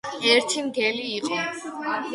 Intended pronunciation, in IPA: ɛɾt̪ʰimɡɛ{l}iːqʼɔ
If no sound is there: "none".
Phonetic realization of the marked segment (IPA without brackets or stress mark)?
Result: l